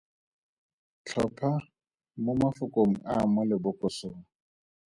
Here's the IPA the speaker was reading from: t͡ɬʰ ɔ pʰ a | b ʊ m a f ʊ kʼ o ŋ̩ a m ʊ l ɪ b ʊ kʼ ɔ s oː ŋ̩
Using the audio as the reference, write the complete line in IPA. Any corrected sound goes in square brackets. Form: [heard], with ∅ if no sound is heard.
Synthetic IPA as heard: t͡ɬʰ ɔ pʰ a | [m] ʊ m a f ʊ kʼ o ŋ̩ a m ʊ l ɪ b ʊ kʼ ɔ s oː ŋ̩